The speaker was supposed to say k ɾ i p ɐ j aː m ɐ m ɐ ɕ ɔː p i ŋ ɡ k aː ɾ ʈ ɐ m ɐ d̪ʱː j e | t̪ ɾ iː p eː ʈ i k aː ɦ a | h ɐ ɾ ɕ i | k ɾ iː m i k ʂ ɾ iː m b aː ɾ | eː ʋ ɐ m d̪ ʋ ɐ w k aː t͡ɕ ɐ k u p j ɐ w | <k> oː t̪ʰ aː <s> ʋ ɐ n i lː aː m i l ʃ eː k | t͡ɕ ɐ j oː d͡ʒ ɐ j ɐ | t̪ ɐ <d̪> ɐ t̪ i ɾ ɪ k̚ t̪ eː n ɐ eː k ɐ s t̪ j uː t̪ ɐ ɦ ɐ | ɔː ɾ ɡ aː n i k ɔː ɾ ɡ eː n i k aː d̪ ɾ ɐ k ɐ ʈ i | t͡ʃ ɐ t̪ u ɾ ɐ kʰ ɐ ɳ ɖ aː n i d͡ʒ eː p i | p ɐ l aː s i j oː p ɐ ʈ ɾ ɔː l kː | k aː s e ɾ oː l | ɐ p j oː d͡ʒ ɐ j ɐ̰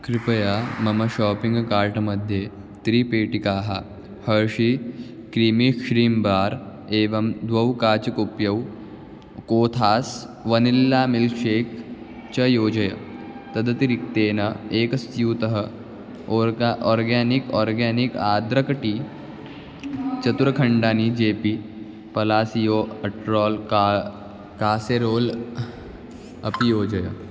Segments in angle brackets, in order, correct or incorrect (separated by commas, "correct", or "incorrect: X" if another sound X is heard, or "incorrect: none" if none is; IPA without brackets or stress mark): correct, correct, correct